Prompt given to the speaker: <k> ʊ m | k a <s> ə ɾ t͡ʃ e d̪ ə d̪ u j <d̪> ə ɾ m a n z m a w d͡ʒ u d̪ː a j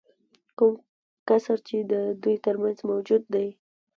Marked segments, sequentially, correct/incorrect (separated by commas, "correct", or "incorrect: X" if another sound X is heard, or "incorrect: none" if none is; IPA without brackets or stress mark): correct, correct, incorrect: t̪